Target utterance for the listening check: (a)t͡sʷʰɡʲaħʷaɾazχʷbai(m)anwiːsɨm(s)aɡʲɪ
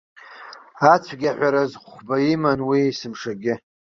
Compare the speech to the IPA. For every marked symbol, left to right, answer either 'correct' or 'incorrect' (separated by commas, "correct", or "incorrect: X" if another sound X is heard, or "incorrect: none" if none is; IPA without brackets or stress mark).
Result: correct, correct, incorrect: ʂ